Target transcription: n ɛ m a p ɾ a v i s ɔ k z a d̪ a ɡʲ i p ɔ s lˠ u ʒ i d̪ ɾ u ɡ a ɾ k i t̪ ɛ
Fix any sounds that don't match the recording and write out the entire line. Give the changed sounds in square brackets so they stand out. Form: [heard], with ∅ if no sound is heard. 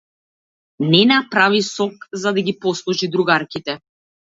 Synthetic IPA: n ɛ [n] a p ɾ a v i s ɔ k z a d̪ a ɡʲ i p ɔ s lˠ u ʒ i d̪ ɾ u ɡ a ɾ k i t̪ ɛ